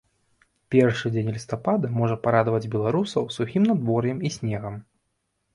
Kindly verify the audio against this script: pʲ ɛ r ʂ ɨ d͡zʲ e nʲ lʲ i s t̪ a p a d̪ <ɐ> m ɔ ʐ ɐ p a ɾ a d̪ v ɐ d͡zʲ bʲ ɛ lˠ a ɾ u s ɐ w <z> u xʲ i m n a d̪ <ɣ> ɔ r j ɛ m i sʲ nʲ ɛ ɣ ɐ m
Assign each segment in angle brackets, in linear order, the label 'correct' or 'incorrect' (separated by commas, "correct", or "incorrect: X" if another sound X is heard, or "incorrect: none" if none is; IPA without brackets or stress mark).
correct, incorrect: s, incorrect: v